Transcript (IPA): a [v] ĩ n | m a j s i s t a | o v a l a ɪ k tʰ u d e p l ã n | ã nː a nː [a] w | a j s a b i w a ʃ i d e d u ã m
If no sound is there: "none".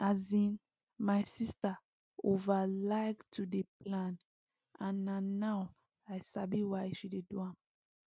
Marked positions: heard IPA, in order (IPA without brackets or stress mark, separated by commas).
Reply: z, a